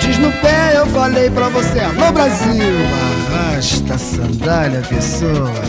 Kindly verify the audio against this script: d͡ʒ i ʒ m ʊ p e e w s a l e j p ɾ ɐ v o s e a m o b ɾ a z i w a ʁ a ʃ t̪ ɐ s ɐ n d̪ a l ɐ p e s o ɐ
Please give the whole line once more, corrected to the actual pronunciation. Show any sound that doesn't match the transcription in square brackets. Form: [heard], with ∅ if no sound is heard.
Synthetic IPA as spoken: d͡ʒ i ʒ [n] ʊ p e e w [f] a l e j p ɾ ɐ v o s e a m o b ɾ a z i w a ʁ a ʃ t̪ ɐ s [ɐ̃] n d̪ a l ɐ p e s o ɐ